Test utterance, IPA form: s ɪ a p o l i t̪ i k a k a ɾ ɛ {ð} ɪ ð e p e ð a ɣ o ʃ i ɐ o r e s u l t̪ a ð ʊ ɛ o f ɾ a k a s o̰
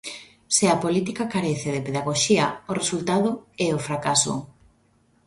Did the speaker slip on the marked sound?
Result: yes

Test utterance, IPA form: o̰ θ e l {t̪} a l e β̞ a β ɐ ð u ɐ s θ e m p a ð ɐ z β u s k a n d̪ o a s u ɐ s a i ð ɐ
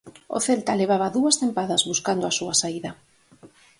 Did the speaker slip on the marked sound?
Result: no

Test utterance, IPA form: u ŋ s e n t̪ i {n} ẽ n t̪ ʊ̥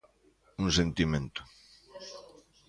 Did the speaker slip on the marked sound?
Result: yes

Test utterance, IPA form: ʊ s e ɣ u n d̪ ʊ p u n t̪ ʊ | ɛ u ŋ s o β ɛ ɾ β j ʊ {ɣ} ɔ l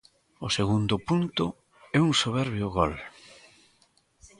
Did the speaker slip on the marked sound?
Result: no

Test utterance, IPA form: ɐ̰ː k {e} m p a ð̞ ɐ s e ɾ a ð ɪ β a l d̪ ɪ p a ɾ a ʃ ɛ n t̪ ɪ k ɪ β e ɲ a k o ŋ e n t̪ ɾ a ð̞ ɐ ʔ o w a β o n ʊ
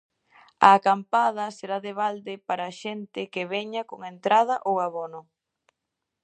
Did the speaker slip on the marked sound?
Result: yes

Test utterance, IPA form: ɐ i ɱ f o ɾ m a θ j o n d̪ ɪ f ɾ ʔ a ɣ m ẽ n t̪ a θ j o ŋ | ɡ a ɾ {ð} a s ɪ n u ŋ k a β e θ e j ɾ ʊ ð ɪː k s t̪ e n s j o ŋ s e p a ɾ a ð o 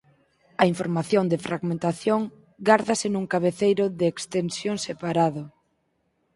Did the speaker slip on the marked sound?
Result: no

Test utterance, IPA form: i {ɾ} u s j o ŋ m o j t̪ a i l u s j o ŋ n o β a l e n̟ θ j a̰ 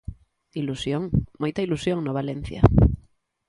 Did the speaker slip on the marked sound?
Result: yes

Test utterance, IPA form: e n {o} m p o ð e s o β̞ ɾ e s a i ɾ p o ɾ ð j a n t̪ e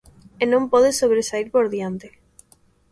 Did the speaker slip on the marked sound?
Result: yes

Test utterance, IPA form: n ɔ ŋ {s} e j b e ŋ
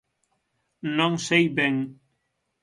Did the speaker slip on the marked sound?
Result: no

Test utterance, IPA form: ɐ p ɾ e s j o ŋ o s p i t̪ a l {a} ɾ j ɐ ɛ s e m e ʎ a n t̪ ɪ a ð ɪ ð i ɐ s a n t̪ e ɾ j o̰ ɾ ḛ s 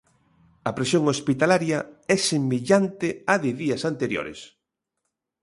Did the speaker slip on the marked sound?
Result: no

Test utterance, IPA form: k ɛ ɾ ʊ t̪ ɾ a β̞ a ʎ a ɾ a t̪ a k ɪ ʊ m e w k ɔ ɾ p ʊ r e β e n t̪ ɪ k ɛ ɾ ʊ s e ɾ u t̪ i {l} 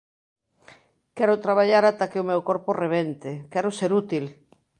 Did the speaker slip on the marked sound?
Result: no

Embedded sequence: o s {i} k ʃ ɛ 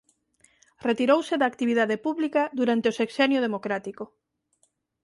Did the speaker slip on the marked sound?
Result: yes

